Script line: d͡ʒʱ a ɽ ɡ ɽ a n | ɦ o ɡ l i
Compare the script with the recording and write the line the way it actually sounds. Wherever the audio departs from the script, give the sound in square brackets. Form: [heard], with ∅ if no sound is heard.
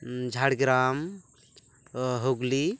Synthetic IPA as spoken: d͡ʒʱ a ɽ ɡ [ɾ] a [m] | ɦ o ɡ l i